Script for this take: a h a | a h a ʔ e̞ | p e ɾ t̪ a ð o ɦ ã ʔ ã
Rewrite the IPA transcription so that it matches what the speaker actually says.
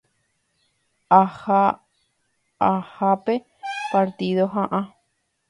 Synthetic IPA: a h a | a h a p e̞ | p a ɾ t̪ i ð o ɦ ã ʔ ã